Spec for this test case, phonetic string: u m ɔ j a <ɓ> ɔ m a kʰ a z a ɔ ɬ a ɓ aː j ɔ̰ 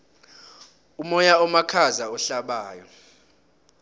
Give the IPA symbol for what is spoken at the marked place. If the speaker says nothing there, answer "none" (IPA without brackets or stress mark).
none